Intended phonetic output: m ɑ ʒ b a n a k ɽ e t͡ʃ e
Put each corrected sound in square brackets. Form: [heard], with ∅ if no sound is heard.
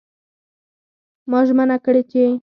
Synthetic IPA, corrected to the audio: m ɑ ʒ [m] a n a k ɽ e t͡ʃ e